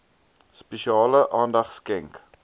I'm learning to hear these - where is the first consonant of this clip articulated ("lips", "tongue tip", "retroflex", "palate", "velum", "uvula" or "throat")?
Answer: tongue tip